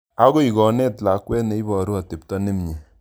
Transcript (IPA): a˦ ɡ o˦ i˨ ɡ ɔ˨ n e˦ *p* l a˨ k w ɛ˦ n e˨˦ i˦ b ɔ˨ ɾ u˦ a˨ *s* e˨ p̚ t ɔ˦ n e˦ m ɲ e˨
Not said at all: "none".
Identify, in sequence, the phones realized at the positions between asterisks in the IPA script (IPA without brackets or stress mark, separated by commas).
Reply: t, t